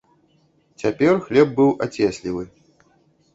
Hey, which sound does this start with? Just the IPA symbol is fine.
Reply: t͡sʲ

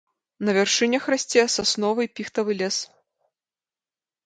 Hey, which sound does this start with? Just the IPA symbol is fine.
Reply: n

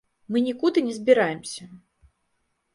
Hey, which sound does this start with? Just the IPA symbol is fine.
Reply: m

